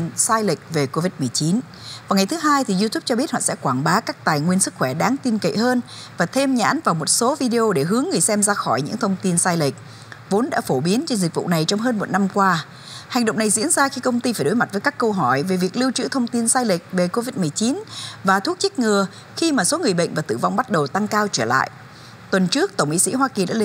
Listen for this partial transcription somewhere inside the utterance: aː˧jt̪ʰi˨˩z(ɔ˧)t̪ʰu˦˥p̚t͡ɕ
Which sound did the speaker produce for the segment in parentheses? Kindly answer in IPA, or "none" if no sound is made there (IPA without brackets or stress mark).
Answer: u˧